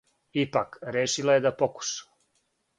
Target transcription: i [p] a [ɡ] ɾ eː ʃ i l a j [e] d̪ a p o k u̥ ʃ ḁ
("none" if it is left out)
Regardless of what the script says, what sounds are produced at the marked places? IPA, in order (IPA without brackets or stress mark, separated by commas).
p, k, e